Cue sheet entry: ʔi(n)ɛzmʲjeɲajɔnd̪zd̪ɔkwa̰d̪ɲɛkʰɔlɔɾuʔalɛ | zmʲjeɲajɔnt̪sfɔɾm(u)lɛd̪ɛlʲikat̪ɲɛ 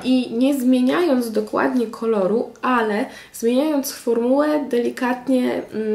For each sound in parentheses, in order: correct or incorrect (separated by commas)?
incorrect, correct